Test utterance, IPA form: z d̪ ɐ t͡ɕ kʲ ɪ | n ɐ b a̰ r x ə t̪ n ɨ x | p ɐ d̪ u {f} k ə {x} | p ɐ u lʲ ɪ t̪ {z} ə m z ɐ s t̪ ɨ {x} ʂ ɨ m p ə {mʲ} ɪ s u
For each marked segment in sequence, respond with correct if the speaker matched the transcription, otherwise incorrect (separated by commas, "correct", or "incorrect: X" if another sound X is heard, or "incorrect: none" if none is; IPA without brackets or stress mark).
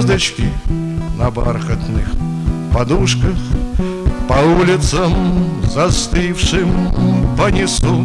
incorrect: ʂ, correct, incorrect: s, incorrect: f, incorrect: nʲ